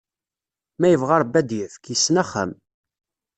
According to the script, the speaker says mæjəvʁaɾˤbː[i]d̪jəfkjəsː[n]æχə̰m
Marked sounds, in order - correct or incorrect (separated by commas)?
incorrect, correct